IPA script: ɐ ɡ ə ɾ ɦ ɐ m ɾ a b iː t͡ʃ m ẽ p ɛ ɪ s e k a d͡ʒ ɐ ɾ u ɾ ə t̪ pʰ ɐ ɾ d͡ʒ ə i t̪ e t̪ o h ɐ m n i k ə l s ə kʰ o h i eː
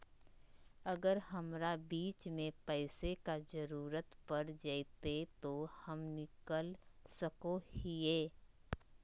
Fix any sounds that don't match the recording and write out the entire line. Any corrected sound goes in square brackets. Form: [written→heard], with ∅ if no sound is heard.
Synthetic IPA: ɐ ɡ ə ɾ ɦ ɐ m ɾ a b iː t͡ʃ m ẽ p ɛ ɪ s e k a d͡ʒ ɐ ɾ [u→uː] ɾ ə t̪ [pʰ→p] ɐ ɾ d͡ʒ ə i t̪ e t̪ o h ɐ m n [i→ɪ] k ə l s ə [kʰ→k] o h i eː